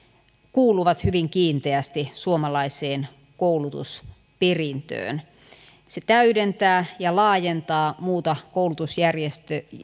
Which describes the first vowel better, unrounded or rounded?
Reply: rounded